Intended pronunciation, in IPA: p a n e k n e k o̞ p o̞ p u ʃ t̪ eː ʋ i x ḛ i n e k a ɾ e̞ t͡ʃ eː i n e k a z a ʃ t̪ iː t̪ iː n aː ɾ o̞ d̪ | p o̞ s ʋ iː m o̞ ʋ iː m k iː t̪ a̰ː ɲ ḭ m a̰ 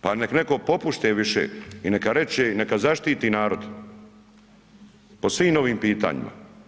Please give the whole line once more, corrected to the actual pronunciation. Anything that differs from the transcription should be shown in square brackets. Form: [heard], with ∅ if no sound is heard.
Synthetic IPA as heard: p a n e k n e k o̞ p o̞ p u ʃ t̪ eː ʋ i [ʃ] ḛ i n e k a ɾ e̞ t͡ʃ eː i n e k a z a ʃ t̪ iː t̪ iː n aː ɾ o̞ d̪ | p o̞ s ʋ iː m o̞ ʋ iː m [p] iː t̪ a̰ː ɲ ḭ m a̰